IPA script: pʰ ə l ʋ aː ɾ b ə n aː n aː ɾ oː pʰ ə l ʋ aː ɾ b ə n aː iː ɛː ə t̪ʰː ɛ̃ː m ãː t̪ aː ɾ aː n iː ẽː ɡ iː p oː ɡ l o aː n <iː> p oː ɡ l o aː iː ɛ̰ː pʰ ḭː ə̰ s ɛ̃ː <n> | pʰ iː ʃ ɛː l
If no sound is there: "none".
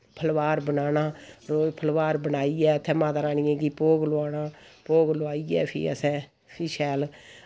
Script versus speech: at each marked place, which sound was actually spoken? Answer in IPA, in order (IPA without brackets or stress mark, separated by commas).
aː, none